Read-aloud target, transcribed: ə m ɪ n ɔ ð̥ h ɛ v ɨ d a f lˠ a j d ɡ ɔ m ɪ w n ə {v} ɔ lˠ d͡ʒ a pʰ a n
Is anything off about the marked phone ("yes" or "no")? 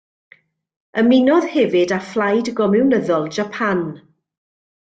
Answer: yes